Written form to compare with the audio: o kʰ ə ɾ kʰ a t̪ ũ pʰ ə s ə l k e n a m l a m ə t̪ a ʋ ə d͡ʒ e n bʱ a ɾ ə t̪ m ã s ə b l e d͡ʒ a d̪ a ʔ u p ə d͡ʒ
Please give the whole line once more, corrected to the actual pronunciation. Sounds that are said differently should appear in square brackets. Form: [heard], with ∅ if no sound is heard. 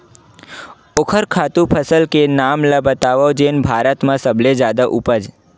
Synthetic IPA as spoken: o kʰ ə ɾ kʰ a t̪ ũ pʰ ə s ə l k e n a m l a [b] ə t̪ a ʋ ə d͡ʒ e n bʱ a ɾ ə t̪ m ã s ə b l e d͡ʒ a d̪ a ʔ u p ə d͡ʒ